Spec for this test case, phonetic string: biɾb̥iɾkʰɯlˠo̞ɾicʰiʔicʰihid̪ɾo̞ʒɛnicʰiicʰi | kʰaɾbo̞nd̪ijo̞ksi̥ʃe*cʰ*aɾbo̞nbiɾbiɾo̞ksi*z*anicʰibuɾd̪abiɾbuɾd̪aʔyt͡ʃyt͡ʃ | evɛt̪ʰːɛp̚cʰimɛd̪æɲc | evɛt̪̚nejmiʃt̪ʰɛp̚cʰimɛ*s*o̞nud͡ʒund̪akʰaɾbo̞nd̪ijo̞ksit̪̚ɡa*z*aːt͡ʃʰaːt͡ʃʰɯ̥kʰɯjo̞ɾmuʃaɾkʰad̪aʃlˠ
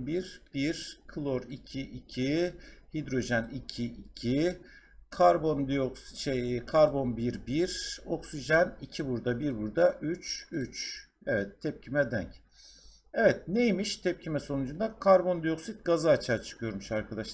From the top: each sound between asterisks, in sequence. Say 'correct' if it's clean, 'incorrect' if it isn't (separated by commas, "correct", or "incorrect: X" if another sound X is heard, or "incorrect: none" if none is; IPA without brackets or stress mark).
incorrect: kʰ, incorrect: ʒ, correct, correct